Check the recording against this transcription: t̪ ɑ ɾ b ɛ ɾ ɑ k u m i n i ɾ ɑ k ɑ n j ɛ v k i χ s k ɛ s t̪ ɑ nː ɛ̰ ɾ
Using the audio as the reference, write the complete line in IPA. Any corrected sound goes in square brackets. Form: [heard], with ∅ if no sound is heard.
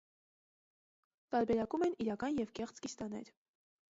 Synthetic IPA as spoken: t̪ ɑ ɾ b ɛ ɾ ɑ k u m [ɛ] n i ɾ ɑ k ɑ n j ɛ v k [ɛ] χ [t͡s] k [i] s t̪ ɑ [n] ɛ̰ ɾ